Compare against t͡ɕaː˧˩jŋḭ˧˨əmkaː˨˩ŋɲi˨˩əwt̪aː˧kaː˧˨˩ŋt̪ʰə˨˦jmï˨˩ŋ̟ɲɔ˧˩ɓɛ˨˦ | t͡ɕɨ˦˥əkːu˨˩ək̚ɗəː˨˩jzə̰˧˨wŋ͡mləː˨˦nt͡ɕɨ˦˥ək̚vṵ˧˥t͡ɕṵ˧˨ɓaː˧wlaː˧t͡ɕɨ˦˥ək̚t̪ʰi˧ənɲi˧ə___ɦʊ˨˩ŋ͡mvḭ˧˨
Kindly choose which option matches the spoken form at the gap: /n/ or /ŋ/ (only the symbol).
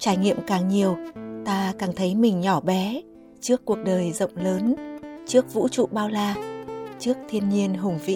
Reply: n